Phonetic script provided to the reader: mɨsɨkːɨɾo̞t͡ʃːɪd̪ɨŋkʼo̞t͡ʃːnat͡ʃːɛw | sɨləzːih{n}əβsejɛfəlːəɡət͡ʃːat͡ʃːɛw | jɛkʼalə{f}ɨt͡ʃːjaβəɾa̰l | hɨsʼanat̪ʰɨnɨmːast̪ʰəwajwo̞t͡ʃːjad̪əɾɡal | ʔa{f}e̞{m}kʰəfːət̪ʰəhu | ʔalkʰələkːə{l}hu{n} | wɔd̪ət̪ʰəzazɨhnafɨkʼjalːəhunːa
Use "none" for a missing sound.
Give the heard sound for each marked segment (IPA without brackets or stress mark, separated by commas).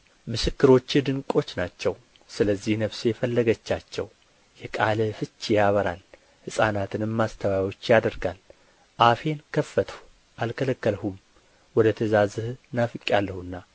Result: n, f, f, n, l, m